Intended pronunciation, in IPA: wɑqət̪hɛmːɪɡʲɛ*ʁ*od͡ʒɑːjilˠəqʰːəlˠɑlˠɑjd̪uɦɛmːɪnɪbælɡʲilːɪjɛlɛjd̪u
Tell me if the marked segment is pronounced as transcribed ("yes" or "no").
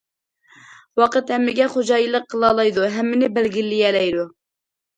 no